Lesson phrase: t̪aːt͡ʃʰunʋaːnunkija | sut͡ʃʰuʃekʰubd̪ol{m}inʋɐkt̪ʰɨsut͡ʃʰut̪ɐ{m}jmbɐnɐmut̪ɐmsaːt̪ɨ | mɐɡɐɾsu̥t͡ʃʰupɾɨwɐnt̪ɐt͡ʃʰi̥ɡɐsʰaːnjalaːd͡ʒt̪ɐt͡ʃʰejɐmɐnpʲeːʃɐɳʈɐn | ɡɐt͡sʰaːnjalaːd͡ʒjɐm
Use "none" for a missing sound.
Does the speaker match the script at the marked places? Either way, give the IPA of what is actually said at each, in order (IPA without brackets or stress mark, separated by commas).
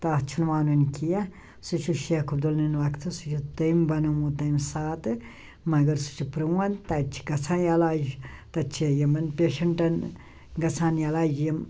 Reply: n, none